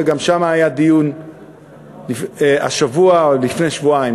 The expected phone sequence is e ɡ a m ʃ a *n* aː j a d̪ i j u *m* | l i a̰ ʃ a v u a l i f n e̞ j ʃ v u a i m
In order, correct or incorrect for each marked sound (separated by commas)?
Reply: incorrect, incorrect